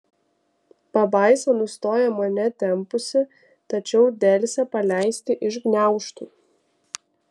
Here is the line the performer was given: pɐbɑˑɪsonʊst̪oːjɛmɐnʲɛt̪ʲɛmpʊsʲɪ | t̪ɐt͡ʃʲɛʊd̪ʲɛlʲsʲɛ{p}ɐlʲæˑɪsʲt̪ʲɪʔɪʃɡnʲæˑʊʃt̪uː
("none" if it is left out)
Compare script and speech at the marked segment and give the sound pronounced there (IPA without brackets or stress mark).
p